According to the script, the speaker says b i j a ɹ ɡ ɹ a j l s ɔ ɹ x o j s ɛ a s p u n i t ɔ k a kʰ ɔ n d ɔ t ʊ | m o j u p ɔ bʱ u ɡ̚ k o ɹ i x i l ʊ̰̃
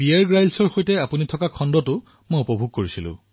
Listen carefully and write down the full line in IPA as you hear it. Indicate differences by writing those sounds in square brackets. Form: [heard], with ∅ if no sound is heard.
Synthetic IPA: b i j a ɹ ɡ ɹ a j l s ɔ ɹ x o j [t] ɛ a [∅] p u n i [tʰ] ɔ k a kʰ ɔ n d ɔ t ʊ | m o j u p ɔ bʱ u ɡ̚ k o ɹ i [s] i l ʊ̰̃